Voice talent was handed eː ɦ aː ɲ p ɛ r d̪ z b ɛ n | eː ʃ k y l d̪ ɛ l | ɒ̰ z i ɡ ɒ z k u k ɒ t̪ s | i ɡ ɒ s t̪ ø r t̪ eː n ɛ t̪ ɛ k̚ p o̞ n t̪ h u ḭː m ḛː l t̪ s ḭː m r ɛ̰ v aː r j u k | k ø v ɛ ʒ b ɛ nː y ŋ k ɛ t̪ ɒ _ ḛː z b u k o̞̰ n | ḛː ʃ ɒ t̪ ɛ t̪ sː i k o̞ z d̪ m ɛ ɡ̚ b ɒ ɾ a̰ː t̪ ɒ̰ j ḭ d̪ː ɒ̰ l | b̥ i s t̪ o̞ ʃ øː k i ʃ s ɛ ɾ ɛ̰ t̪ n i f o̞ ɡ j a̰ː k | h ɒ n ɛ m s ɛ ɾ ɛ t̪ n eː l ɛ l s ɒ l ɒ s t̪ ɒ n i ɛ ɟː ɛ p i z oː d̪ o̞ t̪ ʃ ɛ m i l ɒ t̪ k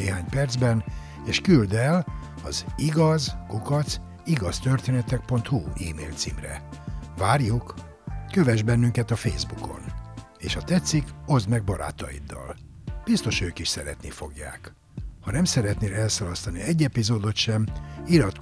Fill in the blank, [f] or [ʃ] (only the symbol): f